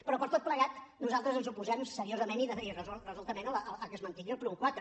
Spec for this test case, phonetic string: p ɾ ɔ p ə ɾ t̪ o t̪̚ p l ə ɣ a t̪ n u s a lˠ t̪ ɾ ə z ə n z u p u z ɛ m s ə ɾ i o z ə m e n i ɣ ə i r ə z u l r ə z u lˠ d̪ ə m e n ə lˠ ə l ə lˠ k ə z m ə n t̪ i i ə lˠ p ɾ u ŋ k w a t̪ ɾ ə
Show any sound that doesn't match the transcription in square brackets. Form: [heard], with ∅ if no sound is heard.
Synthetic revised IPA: p ɾ ɔ p ə ɾ t̪ o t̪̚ p l ə ɣ a t̪ n u [z] a lˠ t̪ ɾ ə z ə n z u p u z ɛ m s ə ɾ i o z ə m e n i [ð] ə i r ə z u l r ə z u lˠ [t̪] ə m e n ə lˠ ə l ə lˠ k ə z m ə n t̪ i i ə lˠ p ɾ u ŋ k w a t̪ ɾ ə